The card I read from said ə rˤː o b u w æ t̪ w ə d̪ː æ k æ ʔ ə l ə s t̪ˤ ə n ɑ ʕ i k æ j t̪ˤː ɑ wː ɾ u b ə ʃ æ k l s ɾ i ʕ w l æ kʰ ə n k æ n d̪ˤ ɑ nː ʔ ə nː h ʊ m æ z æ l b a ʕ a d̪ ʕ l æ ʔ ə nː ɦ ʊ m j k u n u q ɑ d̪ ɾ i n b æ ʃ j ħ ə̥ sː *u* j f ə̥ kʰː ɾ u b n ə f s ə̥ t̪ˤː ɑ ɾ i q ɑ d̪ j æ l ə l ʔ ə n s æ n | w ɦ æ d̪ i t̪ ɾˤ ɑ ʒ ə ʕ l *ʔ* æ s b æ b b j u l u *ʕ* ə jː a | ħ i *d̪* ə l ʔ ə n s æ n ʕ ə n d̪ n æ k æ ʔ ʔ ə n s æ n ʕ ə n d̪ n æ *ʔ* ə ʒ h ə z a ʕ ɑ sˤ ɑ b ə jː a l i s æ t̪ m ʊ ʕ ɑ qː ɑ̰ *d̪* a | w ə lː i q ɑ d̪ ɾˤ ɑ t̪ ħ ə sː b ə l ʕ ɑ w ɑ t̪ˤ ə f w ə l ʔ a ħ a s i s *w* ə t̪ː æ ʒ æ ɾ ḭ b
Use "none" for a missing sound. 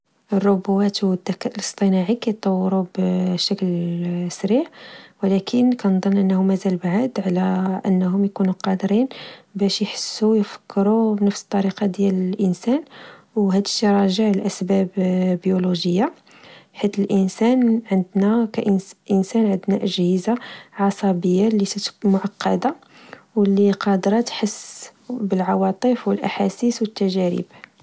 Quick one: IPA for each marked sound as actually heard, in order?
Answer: u, ʔ, ʒ, t̪, ʔ, d̪, w

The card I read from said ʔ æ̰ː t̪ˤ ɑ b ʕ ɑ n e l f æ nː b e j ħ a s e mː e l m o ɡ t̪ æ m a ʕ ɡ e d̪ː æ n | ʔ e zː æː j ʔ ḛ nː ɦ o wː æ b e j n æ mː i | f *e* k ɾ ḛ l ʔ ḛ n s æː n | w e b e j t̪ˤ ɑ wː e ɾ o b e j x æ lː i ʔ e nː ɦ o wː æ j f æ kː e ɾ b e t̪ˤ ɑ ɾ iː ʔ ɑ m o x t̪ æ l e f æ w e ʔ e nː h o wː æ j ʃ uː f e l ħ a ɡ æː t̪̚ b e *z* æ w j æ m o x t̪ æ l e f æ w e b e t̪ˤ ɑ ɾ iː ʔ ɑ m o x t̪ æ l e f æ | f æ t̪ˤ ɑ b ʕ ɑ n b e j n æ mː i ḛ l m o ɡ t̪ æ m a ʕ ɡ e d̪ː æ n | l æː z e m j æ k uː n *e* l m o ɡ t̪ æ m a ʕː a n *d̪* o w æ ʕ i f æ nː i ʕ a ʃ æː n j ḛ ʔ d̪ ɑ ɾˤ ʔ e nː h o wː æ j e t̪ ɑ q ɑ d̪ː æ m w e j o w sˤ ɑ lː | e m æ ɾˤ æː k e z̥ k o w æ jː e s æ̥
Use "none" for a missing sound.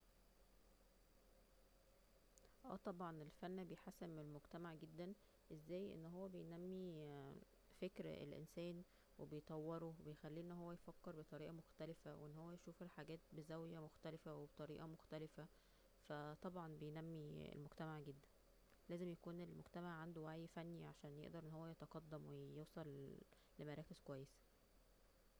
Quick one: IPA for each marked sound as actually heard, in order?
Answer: e, z, e, d̪

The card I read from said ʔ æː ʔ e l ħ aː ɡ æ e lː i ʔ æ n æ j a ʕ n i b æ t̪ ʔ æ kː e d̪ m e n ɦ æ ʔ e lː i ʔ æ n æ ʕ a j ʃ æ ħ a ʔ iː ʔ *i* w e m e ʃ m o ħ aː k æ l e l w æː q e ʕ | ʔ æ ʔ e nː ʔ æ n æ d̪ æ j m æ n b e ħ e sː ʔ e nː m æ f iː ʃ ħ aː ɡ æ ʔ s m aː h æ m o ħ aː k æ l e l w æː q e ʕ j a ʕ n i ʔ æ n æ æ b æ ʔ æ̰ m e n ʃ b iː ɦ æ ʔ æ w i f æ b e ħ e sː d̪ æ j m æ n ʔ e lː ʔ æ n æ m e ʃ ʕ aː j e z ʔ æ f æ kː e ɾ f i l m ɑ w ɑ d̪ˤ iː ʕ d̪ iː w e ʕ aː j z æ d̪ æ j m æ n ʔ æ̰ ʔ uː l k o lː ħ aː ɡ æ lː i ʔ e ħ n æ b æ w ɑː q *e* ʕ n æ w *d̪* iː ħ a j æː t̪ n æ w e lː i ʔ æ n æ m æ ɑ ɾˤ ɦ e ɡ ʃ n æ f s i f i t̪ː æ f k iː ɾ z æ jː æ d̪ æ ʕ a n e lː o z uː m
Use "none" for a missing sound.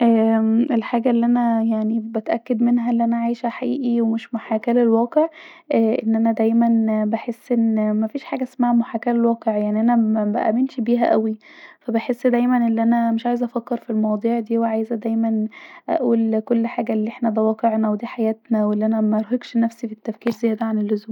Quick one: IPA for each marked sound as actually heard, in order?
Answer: i, e, d̪

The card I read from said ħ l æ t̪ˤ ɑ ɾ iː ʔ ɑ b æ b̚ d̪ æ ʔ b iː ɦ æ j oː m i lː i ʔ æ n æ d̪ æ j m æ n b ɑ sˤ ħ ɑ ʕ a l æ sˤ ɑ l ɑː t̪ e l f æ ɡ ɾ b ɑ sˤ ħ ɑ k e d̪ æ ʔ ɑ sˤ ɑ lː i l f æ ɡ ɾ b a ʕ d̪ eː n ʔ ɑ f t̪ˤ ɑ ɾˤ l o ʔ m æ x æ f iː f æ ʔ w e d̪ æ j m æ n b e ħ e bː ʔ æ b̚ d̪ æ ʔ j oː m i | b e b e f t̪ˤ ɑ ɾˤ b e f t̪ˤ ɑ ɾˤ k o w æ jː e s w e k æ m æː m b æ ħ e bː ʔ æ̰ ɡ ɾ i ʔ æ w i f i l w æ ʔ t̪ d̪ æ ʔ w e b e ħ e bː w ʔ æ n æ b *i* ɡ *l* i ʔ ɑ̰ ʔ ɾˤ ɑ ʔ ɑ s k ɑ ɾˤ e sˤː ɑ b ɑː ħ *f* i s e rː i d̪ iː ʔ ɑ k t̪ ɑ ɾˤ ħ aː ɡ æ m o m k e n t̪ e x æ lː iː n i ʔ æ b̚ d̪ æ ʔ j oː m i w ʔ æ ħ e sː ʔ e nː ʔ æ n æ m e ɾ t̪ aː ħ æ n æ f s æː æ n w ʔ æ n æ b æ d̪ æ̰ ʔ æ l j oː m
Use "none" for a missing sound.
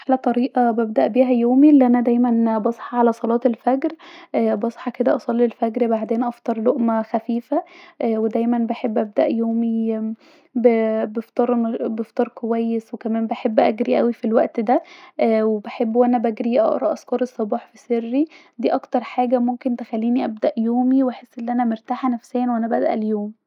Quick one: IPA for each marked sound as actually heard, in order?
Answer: æ, ɾ, f

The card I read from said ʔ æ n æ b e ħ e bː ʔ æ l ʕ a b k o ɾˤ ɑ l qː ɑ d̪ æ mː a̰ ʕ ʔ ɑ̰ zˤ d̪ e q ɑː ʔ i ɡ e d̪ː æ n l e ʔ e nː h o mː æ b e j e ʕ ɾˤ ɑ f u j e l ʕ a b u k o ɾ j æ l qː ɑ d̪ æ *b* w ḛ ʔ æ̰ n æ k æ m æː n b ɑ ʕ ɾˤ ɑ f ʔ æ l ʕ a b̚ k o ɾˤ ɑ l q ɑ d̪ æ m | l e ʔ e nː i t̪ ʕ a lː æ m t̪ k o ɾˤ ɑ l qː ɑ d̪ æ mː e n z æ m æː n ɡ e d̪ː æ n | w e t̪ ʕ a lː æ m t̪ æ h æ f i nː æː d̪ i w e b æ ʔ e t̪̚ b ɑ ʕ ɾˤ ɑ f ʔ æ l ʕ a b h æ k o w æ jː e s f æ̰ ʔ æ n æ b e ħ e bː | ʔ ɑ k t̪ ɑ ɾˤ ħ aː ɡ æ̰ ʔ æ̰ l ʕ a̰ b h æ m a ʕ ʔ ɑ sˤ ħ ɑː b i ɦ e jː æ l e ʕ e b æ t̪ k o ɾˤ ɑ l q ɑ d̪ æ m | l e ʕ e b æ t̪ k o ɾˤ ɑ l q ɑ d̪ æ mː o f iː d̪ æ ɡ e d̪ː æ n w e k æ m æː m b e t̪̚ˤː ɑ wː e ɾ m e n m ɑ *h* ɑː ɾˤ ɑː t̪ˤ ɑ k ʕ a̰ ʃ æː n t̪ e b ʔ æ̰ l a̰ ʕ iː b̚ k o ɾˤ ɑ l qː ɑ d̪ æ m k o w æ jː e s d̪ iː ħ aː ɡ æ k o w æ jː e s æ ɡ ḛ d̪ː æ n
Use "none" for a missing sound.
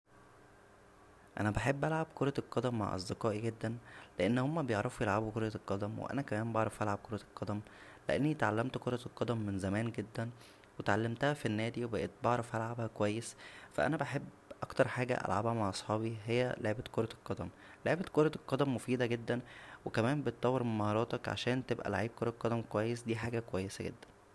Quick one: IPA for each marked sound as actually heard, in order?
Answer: m, h

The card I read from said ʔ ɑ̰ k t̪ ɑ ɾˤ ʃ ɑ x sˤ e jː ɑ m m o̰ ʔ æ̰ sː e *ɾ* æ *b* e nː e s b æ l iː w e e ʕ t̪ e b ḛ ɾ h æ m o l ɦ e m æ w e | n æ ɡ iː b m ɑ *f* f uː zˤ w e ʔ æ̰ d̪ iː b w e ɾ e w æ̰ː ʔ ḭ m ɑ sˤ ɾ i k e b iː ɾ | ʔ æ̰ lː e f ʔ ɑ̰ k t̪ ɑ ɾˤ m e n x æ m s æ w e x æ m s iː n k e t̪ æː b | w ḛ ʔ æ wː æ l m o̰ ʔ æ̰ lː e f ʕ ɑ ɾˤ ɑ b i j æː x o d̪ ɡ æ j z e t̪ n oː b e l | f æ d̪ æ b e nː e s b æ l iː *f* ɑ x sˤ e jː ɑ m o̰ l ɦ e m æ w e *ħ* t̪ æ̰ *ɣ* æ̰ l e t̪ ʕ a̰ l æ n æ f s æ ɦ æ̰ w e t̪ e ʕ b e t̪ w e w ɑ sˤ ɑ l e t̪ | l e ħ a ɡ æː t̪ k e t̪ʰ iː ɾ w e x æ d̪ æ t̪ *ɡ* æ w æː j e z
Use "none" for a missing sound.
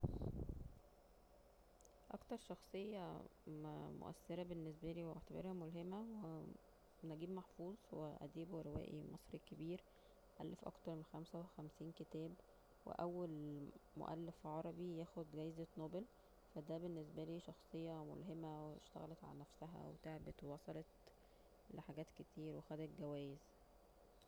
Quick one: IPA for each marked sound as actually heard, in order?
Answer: ɾ, b, ħ, ʃ, ʃ, ɣ, ɡ

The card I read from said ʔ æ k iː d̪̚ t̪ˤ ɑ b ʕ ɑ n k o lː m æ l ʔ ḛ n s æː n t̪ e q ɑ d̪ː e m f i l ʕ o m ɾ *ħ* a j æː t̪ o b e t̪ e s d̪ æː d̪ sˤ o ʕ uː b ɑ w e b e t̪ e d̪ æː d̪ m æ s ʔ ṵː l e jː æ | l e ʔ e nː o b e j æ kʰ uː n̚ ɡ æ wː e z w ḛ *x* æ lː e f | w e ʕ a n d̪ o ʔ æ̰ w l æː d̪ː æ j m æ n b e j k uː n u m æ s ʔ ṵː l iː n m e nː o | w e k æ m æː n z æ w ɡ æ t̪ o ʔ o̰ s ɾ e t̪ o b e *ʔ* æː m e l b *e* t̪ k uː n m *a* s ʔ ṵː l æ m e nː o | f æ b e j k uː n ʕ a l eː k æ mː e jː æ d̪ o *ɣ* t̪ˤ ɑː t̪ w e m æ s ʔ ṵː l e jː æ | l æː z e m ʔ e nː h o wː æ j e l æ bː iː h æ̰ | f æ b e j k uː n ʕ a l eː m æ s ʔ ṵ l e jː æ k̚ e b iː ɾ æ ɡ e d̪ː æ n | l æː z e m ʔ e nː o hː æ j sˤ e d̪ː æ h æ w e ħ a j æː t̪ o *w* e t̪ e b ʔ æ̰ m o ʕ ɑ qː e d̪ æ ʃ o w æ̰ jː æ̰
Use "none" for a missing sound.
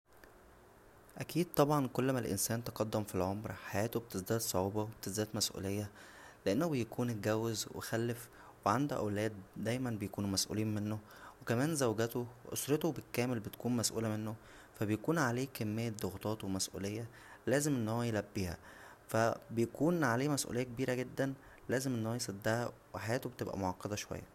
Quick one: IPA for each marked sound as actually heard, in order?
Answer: ħ, x, k, e, æ, ɣ, b

